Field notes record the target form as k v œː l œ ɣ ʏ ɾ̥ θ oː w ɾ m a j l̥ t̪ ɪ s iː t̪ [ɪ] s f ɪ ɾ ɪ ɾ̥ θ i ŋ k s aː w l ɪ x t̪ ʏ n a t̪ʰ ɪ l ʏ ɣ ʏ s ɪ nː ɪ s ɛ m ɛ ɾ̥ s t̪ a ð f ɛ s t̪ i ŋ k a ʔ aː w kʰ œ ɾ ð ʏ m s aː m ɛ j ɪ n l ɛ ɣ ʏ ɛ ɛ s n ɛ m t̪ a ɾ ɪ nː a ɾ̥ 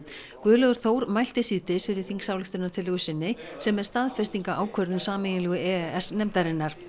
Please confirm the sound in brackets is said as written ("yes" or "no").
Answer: yes